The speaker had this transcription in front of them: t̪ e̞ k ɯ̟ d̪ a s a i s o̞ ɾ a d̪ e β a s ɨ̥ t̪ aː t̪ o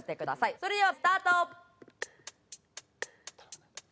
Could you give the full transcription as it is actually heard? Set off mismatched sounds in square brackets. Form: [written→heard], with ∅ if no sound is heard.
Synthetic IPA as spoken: t̪ e̞ k ɯ̟ d̪ a s a i s o̞ ɾ [a→e] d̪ e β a s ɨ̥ t̪ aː t̪ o